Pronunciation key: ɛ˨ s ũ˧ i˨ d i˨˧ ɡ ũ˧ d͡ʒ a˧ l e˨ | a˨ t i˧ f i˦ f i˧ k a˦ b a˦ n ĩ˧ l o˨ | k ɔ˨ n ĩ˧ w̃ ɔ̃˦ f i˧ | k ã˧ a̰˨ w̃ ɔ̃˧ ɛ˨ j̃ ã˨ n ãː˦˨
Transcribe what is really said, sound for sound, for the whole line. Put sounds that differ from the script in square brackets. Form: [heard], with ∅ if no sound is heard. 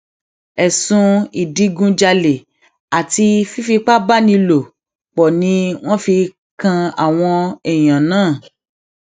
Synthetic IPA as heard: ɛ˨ s ũ˧ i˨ d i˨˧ ɡ ũ˧ d͡ʒ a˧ l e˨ | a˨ t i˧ f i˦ f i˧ [k͡p] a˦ b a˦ n ĩ˧ l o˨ | [k͡p] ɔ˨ n ĩ˧ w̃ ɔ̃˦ f i˧ | k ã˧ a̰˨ w̃ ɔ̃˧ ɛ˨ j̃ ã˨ n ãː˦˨